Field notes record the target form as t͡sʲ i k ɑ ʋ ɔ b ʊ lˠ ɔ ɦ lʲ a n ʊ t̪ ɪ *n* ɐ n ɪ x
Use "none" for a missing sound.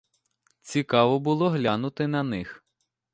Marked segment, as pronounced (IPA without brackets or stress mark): n